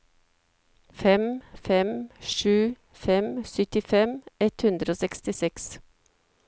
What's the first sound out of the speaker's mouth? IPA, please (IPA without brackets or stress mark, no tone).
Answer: f